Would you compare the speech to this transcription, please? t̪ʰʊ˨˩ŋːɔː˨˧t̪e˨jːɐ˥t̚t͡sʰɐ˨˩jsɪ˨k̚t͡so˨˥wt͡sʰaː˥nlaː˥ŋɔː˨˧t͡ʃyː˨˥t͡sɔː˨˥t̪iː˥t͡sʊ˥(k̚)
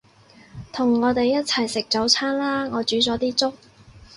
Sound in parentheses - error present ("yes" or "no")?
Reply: no